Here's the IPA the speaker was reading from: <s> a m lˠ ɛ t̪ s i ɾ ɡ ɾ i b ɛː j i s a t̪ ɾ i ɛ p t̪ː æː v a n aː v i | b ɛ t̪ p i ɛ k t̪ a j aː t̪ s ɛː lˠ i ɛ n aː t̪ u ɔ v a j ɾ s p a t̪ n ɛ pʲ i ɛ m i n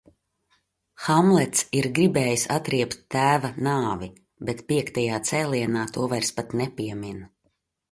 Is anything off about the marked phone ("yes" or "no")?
yes